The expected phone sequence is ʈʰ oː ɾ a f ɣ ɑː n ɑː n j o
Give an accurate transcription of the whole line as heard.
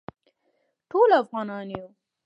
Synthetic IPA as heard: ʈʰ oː l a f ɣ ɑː n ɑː n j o